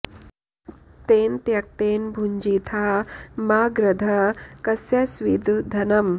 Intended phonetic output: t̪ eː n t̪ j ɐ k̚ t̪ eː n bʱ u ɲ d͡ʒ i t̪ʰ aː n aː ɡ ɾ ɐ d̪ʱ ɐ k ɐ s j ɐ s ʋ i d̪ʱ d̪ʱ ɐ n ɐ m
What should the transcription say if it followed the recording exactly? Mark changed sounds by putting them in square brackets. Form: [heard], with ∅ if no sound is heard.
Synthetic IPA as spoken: t̪ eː n t̪ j ɐ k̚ t̪ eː n bʱ u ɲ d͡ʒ i t̪ʰ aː [m] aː ɡ ɾ ɐ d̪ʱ ɐ k ɐ s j ɐ s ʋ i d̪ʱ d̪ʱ ɐ n ɐ m